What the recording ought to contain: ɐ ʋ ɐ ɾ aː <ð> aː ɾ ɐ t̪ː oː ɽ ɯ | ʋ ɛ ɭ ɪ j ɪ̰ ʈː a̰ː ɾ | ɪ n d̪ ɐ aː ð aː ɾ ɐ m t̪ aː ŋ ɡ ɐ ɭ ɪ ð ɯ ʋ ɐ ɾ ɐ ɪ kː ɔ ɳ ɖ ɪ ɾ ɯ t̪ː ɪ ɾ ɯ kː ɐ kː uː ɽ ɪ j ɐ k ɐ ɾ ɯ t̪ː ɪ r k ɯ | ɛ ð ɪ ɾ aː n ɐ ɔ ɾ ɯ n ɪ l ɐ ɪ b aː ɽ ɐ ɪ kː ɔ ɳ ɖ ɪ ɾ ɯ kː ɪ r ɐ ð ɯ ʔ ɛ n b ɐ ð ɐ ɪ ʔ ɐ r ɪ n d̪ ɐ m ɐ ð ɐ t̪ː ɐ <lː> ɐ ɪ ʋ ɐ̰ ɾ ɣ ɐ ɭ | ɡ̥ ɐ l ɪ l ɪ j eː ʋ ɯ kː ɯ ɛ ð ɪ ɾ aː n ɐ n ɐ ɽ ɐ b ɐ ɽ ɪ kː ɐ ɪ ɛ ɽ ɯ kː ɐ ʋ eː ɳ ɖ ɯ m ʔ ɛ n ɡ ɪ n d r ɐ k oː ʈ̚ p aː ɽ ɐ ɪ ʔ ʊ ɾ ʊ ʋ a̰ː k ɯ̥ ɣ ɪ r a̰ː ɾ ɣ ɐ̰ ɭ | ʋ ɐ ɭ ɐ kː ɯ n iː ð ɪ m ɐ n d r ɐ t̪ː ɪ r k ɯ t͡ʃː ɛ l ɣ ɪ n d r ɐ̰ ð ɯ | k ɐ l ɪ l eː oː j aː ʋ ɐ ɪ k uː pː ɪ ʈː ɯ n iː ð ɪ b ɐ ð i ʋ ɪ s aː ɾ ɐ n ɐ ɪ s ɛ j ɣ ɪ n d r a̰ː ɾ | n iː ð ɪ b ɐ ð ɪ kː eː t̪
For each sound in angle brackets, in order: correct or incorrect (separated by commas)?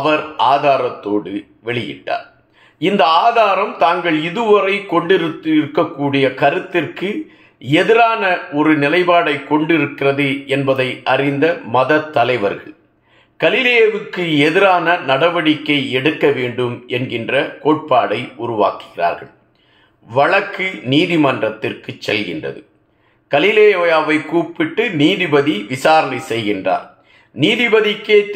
correct, incorrect